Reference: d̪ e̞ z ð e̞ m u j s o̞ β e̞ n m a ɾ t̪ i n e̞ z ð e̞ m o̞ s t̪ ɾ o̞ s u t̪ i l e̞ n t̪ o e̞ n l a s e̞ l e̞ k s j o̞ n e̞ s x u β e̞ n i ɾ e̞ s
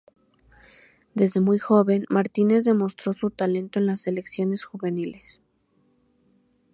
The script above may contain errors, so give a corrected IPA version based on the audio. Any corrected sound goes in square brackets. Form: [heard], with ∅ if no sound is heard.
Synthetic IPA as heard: d̪ e̞ z ð e̞ m u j [x] o̞ β e̞ n m a ɾ t̪ i n e̞ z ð e̞ m o̞ s t̪ ɾ o̞ s u t̪ [a] l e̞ n t̪ o e̞ n l a s e̞ l e̞ k s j o̞ n e̞ s x u β e̞ n i [l] e̞ s